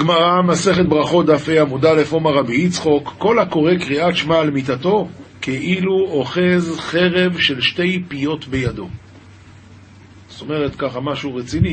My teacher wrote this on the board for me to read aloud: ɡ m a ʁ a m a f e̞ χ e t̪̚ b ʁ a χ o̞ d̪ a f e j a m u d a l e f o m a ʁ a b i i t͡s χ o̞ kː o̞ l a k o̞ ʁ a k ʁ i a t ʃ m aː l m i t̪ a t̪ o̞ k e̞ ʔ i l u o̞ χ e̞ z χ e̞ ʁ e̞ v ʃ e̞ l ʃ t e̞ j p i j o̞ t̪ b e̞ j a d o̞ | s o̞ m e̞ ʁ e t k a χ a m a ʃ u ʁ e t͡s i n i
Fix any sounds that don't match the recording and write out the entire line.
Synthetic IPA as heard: ɡ m a ʁ a m a s e̞ χ e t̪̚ b ʁ a χ o̞ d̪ a f e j a m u d a l e f o m a ʁ a b i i t͡s χ o̞ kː o̞ l a k o̞ ʁ e k ʁ i a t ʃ m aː l m i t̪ a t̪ o̞ k e̞ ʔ i l u o̞ χ e̞ z χ e̞ ʁ e̞ v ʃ e̞ l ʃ t e̞ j p i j o̞ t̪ b e̞ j a d o̞ | s o̞ m e̞ ʁ e t k a χ a m a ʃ u ʁ e t͡s i n i